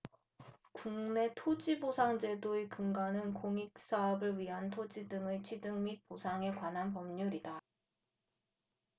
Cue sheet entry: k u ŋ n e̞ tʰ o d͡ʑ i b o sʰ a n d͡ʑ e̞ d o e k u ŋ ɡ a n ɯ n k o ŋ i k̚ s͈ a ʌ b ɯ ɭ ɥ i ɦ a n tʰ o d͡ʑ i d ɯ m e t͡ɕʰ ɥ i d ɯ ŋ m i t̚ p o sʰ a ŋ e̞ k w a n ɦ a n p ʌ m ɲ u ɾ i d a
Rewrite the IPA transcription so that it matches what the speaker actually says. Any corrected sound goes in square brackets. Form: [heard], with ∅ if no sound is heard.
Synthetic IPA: k u ŋ n e̞ tʰ o d͡ʑ i b o sʰ a [ŋ] d͡ʑ e̞ d o e k [ɯ] ŋ ɡ a n ɯ n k o ŋ i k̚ s͈ a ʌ b ɯ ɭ ɥ i ɦ a n tʰ o d͡ʑ i d ɯ [ŋ] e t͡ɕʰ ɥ i d ɯ ŋ m i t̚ p o sʰ a ŋ e̞ k w a n ɦ a n p ʌ m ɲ u ɾ i d a

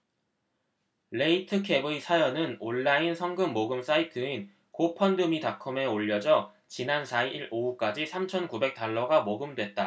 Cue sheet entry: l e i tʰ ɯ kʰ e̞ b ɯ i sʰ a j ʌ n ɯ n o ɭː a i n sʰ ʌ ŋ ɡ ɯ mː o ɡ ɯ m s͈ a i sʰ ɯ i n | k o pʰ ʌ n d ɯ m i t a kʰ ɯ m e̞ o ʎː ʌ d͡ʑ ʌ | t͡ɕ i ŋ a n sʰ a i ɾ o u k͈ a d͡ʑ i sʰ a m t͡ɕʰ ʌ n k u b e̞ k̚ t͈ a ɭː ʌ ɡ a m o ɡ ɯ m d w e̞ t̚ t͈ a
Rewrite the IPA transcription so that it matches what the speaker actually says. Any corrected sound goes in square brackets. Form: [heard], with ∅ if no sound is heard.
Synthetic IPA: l e i tʰ ɯ kʰ e̞ b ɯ i sʰ a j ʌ n ɯ n o ɭː a i n sʰ ʌ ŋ ɡ ɯ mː o ɡ ɯ m s͈ a i [tʰ] ɯ i n | k o pʰ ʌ n d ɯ m i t a kʰ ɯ m e̞ o ʎː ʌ d͡ʑ ʌ | t͡ɕ i [n] a n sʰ a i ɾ o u k͈ a d͡ʑ i sʰ a m t͡ɕʰ ʌ n k u b e̞ k̚ t͈ a ɭː ʌ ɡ a m o ɡ ɯ m d w e̞ t̚ t͈ a

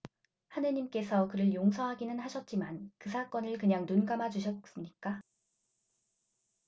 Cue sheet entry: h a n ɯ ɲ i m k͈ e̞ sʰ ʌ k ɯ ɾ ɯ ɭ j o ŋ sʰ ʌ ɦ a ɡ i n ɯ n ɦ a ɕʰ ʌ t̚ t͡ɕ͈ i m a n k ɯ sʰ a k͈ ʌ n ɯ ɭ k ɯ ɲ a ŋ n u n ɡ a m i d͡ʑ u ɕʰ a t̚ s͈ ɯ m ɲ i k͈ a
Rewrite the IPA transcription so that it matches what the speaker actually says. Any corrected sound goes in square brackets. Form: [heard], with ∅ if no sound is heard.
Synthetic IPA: h a n ɯ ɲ i m k͈ e̞ sʰ ʌ k ɯ ɾ ɯ ɭ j o ŋ sʰ ʌ ɦ a ɡ i n ɯ n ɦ a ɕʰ ʌ t̚ t͡ɕ͈ i m a n k ɯ sʰ a k͈ ʌ n ɯ ɭ k ɯ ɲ a ŋ n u n ɡ a m [a] d͡ʑ u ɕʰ [ʌ] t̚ s͈ ɯ m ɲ i k͈ a

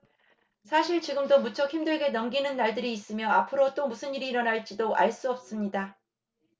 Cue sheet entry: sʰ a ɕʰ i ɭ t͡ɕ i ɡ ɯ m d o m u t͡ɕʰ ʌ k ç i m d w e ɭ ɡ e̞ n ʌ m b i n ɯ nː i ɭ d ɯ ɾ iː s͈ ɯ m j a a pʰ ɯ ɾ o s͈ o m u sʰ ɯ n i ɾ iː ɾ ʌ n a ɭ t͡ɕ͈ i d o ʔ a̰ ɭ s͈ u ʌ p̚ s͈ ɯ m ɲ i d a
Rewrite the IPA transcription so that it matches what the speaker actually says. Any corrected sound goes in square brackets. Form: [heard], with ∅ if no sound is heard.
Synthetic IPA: sʰ a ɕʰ i ɭ t͡ɕ i ɡ ɯ m d o m u t͡ɕʰ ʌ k ç i m d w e ɭ ɡ e̞ n ʌ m [ɡ] i n ɯ nː [a] ɭ d ɯ ɾ iː s͈ ɯ m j [ʌ] a pʰ ɯ ɾ o [t͈] o m u sʰ ɯ n i ɾ iː ɾ ʌ n a ɭ t͡ɕ͈ i d o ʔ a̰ ɭ s͈ u ʌ p̚ s͈ ɯ m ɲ i d a

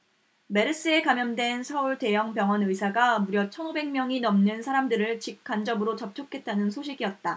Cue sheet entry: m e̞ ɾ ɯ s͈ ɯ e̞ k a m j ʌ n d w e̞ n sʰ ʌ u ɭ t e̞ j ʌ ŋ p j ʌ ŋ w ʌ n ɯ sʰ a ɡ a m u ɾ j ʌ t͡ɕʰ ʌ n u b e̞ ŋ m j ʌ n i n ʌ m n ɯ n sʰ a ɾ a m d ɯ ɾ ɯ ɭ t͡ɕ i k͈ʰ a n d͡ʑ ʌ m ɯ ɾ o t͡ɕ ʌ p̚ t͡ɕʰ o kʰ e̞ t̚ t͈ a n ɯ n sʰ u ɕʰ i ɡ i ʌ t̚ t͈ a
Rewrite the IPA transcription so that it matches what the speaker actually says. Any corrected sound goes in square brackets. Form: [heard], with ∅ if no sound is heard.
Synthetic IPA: m e̞ ɾ ɯ s͈ ɯ e̞ k a m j ʌ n d w e̞ n sʰ ʌ u ɭ t e̞ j ʌ ŋ p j ʌ ŋ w ʌ n ɯ sʰ a ɡ a m u ɾ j ʌ t͡ɕʰ ʌ n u b e̞ ŋ m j ʌ [ŋ] i n ʌ m n ɯ n sʰ a ɾ a m d ɯ ɾ ɯ ɭ t͡ɕ i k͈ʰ a n d͡ʑ ʌ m ɯ ɾ o t͡ɕ ʌ p̚ t͡ɕʰ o kʰ e̞ t̚ t͈ a n ɯ n sʰ [o] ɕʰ i ɡ i ʌ t̚ t͈ a

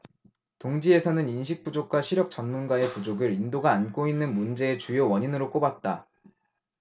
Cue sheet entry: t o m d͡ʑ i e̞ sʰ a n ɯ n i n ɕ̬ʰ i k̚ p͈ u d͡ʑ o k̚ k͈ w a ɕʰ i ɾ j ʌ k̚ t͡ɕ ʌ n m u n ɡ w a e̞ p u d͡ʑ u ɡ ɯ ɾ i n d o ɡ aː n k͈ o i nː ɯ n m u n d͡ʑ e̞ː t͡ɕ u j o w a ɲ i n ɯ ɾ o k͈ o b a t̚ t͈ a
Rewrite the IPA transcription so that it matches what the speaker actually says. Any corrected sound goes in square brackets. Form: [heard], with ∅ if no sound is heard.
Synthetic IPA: t o [ŋ] d͡ʑ i e̞ sʰ [ʌ] n ɯ n i n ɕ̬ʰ i k̚ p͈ u d͡ʑ o k̚ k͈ w a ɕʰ i ɾ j ʌ k̚ t͡ɕ ʌ n m u n ɡ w a e̞ p u d͡ʑ [o] ɡ ɯ ɾ i n d o ɡ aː n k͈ o i nː ɯ n m u n d͡ʑ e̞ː t͡ɕ u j o w [ʌ] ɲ i n ɯ ɾ o k͈ o b a t̚ t͈ a

